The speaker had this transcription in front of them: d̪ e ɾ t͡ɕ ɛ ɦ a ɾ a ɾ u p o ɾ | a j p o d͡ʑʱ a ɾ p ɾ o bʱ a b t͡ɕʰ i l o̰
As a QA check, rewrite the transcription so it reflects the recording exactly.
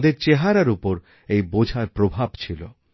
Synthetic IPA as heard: d̪ e ɾ t͡ɕ e ɦ a ɾ a ɾ u p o ɾ | e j b o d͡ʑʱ a ɾ p ɾ o bʱ a b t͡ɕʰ i l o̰